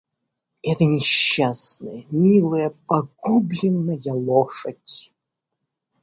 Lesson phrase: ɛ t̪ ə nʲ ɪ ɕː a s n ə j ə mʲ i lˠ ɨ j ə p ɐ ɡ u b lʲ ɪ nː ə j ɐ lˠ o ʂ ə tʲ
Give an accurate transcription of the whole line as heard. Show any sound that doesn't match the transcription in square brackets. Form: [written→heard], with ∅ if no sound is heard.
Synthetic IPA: ɛ t̪ ə nʲ ɪ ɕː a s n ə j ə mʲ i lˠ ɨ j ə p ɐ ɡ u b lʲ ɪ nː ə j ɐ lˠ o ʂ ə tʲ